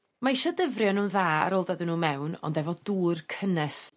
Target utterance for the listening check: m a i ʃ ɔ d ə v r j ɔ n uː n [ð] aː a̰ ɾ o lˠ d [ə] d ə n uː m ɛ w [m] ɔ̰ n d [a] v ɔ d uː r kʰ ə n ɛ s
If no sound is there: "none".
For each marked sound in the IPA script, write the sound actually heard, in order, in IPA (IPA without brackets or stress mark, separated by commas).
ð, a, n, ɛ